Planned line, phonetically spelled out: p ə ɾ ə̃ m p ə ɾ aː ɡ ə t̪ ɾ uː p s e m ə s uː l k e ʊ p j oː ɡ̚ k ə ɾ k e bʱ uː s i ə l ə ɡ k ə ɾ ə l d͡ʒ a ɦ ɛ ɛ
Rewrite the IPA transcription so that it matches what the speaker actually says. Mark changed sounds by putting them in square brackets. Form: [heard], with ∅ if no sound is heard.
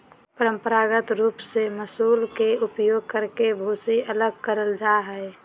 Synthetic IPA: p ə ɾ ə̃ m p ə ɾ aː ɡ ə t̪ ɾ uː p s e m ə s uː l k e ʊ p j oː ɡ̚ k ə ɾ k e bʱ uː s i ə l ə ɡ k ə ɾ ə l d͡ʒ a ɦ ɛ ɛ

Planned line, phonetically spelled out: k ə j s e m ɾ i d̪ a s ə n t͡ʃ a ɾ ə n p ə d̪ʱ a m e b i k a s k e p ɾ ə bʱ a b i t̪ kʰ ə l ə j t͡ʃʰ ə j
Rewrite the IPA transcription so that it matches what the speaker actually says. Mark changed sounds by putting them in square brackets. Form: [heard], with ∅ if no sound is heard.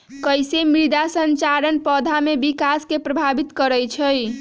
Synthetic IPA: k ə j s e m ɾ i d̪ a s ə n t͡ʃ a ɾ ə n p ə d̪ʱ a m e b i k a s k e p ɾ ə bʱ a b i t̪ [k] ə [ɾ] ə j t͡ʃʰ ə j

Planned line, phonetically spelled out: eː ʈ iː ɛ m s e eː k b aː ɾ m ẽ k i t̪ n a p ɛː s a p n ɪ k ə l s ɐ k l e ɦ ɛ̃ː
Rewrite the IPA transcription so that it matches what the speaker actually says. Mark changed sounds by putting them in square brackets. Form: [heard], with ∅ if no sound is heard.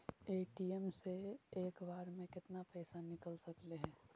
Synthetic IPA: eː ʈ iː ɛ m s e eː k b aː ɾ m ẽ k [ɪ] t̪ n a p ɛː s a [∅] n ɪ k ə l s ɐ k l e ɦ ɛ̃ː

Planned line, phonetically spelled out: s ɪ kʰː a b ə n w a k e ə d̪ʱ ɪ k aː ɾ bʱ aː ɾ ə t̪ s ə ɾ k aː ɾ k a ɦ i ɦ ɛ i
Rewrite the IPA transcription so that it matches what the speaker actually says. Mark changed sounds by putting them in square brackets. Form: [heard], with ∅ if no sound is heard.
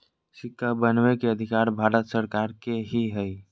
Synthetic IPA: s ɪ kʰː a b ə n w [e] k e ə d̪ʱ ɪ k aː ɾ bʱ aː ɾ ə t̪ s ə ɾ k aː ɾ k [e] ɦ i ɦ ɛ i

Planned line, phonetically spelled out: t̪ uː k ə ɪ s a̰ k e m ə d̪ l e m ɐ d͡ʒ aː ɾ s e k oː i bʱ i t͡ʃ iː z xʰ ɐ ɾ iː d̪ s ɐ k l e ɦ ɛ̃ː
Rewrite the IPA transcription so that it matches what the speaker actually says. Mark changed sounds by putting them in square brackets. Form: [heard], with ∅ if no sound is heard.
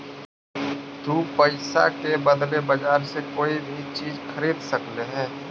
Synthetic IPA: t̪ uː [p] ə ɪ s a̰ k e [b] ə d̪ l e [b] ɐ d͡ʒ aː ɾ s e k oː i bʱ i t͡ʃ iː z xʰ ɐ ɾ iː d̪ s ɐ k l e ɦ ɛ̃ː

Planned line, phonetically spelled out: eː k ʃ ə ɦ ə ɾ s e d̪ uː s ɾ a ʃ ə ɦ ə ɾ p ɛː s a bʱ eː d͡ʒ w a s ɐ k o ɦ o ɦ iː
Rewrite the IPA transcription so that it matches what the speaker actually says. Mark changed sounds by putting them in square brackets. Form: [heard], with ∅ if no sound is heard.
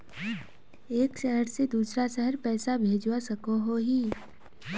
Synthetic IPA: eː k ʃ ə ɦ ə ɾ s e d̪ uː s ɾ a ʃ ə ɦ ə ɾ p ɛː s a bʱ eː d͡ʒ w a s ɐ k o ɦ o ɦ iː

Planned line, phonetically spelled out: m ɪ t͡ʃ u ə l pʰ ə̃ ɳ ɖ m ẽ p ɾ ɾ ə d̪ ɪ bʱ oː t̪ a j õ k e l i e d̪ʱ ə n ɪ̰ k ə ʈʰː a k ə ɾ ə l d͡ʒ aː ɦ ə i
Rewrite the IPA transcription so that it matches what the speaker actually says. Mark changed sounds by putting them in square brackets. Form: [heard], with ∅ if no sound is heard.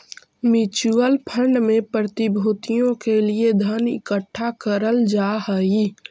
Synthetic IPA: m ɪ t͡ʃ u ə l pʰ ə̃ ɳ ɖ m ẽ p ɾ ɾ ə [t̪] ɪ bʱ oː t̪ [i] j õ k e l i e d̪ʱ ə n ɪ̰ k ə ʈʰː a k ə ɾ ə l d͡ʒ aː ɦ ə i

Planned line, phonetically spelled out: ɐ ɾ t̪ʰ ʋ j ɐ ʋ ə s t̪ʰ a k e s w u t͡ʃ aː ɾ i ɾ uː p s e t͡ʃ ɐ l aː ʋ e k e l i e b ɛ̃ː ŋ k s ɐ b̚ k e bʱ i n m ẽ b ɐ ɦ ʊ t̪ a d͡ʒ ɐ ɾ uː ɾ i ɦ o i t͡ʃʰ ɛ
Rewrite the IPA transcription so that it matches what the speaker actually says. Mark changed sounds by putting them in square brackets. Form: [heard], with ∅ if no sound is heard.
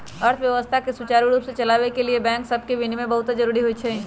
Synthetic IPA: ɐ ɾ t̪ʰ ʋ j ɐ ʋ ə s t̪ʰ a k e s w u t͡ʃ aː ɾ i ɾ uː p s e t͡ʃ ɐ l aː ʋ e k e l i e b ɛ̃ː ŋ k s ɐ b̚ k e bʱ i n m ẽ b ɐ ɦ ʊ t̪ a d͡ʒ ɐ ɾ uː ɾ i ɦ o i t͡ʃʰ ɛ

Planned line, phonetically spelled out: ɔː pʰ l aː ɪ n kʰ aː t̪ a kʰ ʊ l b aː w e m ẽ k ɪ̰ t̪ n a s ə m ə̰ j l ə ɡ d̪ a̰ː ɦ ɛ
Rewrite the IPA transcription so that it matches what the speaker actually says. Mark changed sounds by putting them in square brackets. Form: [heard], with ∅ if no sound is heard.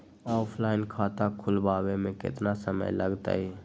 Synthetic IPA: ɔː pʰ l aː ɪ n kʰ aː t̪ a kʰ ʊ l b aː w e m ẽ k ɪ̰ t̪ n a s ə m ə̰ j l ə ɡ [t̪] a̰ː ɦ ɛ

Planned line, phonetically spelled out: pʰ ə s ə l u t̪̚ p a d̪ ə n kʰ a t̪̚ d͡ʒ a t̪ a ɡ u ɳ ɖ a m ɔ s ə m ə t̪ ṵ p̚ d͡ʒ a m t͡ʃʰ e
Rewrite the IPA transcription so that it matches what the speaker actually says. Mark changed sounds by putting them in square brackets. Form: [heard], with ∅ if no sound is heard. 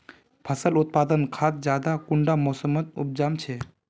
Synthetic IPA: pʰ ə s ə l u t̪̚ p a d̪ ə n kʰ a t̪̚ d͡ʒ a [d̪] a [k] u ɳ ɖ a m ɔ s ə m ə t̪ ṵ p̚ d͡ʒ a m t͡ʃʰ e

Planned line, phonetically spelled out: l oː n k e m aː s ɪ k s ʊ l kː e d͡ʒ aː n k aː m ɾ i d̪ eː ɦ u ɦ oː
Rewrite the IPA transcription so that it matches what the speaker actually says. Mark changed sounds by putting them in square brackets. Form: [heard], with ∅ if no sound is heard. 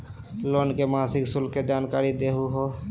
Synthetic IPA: l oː n k e m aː s ɪ k s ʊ l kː e d͡ʒ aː n k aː [∅] ɾ i d̪ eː ɦ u ɦ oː

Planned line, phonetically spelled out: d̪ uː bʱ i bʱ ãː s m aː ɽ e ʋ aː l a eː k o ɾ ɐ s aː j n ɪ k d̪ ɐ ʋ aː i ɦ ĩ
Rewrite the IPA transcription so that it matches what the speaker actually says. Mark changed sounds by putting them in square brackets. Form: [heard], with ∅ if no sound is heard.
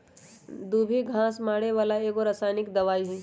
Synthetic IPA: d̪ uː bʱ i [ɡʱ] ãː s m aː ɽ e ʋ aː l a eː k o ɾ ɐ s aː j n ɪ k d̪ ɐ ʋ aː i ɦ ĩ

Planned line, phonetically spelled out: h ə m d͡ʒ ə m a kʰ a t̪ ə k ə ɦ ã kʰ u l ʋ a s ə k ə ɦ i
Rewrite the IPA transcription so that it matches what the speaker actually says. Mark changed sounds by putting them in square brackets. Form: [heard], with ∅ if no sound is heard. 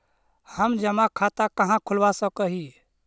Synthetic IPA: h ə m d͡ʒ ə m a kʰ a t̪ [a] k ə ɦ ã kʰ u l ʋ a s ə k ə ɦ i

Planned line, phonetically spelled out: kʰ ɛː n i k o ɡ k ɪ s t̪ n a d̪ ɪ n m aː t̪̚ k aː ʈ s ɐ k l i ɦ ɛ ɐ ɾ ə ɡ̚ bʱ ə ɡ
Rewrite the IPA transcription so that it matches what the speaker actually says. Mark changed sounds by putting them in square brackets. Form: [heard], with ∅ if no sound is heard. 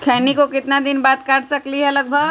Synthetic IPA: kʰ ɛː n i k o [∅] k ɪ [∅] t̪ n a d̪ ɪ n [b] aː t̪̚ k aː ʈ s ɐ k l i ɦ ɛ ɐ [l] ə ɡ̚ bʱ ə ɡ

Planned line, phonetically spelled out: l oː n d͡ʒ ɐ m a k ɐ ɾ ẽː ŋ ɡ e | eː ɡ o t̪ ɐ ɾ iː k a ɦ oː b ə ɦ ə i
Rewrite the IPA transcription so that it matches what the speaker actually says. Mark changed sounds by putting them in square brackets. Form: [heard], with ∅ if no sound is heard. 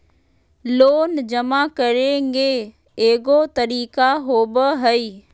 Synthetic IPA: l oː n d͡ʒ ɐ m a k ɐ ɾ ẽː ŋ ɡ e | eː ɡ o t̪ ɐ ɾ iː k a ɦ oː b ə ɦ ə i

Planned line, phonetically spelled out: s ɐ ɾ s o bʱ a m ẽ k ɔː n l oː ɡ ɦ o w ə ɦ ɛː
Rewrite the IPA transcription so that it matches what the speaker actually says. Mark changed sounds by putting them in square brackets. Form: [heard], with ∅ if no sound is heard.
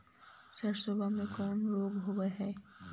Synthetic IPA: s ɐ ɾ s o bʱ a m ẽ k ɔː n [ɾ] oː ɡ ɦ o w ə ɦ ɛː

